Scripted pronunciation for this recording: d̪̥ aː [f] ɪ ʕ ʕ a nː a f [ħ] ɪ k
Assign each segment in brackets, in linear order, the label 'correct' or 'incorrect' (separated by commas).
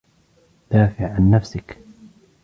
correct, incorrect